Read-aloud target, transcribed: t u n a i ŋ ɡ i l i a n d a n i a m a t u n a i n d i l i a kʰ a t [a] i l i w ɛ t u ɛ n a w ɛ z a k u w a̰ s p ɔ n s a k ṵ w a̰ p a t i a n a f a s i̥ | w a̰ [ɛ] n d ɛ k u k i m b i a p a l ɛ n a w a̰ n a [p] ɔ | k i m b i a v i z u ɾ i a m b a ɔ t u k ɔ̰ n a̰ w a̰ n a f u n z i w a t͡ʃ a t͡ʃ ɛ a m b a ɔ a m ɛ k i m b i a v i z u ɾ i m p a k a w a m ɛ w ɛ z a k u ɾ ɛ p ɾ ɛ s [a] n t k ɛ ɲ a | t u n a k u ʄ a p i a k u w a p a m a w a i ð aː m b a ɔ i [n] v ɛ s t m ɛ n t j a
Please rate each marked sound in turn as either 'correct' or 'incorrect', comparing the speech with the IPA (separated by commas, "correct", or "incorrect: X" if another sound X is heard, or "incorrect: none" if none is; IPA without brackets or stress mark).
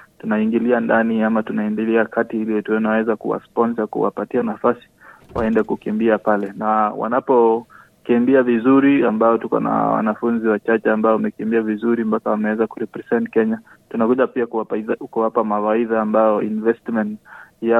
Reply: incorrect: i, correct, correct, incorrect: ɛ, correct